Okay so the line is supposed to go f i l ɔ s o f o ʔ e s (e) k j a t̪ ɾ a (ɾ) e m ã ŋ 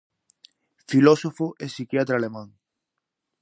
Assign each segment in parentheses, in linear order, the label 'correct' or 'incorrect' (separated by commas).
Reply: incorrect, incorrect